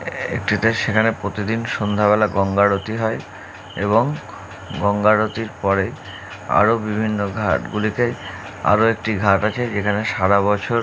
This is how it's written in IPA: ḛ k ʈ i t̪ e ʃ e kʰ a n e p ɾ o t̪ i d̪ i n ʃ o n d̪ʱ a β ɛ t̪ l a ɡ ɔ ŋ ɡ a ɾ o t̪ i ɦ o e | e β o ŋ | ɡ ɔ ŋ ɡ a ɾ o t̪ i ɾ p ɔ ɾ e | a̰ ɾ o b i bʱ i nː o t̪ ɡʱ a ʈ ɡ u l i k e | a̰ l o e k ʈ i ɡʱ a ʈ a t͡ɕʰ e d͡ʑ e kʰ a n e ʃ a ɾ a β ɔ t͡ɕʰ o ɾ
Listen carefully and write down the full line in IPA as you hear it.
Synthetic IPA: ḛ k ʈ i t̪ e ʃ e kʰ a n e p ɾ o t̪ i d̪ i n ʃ o n d̪ʱ a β ɛ l a ɡ ɔ ŋ ɡ a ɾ o t̪ i ɦ ɔ e | e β o ŋ | ɡ ɔ ŋ ɡ a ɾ o t̪ i ɾ p ɔ ɾ e | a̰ ɾ o b i bʱ i nː o ɡʱ a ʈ ɡ u l i k e | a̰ ɾ o e k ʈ i ɡʱ a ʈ a t͡ɕʰ e d͡ʑ e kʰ a n e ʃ a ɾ a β ɔ t͡ɕʰ o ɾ